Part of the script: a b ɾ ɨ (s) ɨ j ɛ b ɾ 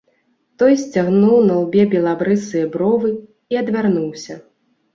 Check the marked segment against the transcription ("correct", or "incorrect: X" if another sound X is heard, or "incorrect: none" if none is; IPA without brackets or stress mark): correct